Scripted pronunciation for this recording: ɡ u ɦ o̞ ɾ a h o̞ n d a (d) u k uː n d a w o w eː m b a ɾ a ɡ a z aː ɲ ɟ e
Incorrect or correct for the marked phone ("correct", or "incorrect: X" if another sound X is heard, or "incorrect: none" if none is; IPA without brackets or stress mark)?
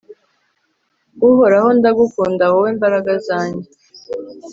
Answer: incorrect: ɡ